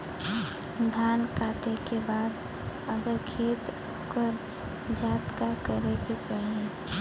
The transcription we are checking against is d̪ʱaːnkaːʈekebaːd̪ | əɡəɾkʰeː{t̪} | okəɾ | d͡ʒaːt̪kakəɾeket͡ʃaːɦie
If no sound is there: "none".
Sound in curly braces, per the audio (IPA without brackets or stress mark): t̪